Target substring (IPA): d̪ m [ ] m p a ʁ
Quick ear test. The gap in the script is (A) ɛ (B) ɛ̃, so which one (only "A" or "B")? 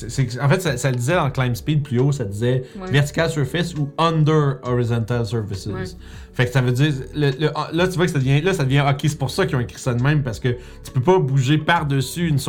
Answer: B